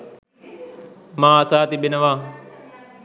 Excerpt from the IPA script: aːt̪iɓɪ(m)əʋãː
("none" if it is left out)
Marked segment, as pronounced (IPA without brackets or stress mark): n